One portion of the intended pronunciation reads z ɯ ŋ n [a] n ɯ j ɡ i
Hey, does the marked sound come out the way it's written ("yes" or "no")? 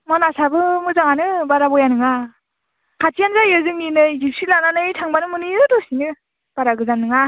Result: no